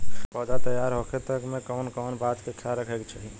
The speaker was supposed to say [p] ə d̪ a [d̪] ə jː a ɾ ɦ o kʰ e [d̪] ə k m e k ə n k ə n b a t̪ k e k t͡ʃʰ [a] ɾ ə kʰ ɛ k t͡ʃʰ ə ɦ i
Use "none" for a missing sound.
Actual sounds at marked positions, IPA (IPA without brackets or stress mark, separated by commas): p, t̪, t̪, a